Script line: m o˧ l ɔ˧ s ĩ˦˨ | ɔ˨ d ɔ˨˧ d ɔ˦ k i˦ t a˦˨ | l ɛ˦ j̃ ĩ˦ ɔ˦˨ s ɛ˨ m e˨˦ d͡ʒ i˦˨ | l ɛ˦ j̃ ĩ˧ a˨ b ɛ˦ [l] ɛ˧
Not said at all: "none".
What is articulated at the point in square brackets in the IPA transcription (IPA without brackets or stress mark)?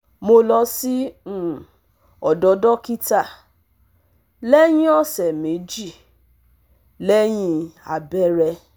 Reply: ɾ